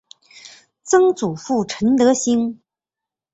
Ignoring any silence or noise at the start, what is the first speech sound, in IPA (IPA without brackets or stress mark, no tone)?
t͡s